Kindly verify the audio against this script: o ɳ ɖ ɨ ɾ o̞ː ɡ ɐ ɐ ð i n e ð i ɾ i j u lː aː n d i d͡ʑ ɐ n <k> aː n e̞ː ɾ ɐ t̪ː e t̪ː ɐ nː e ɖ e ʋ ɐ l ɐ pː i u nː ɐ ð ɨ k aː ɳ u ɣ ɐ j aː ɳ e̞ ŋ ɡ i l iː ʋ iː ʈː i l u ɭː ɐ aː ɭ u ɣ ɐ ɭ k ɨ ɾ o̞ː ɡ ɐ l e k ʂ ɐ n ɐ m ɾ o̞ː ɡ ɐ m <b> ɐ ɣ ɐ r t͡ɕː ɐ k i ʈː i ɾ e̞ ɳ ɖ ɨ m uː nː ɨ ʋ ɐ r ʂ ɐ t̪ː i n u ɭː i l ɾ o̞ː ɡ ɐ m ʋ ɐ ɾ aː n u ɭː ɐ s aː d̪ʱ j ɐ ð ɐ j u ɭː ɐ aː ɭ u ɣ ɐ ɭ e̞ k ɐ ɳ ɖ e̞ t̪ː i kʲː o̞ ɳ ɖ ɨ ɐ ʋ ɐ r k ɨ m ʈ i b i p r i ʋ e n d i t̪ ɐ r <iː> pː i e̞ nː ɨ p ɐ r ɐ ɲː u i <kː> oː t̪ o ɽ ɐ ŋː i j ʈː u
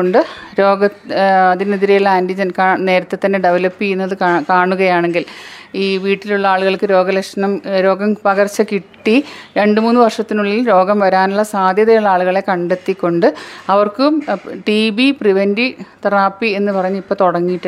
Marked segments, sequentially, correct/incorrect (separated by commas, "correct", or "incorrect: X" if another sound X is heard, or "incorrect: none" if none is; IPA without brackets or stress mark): correct, incorrect: p, incorrect: aː, incorrect: pː